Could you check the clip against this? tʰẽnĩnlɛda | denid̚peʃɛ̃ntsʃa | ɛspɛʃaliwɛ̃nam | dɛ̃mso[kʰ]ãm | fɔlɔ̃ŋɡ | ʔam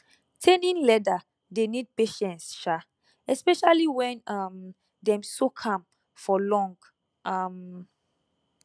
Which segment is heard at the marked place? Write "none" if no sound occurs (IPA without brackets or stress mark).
kʰ